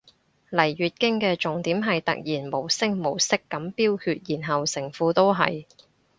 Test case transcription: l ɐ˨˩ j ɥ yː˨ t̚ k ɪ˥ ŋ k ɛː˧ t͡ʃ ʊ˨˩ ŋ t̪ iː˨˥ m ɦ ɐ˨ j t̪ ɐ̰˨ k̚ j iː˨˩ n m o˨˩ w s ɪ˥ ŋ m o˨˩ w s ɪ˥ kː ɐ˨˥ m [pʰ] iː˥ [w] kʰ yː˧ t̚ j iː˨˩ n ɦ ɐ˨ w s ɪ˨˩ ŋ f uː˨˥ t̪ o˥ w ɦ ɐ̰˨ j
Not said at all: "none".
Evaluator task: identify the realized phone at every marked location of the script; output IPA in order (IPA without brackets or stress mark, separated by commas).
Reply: p, w